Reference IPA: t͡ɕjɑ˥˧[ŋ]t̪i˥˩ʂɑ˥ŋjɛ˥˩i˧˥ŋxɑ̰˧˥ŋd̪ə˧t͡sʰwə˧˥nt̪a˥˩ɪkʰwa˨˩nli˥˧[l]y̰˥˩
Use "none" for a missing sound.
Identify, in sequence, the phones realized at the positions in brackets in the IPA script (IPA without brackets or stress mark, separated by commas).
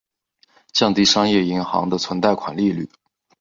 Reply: ŋ, l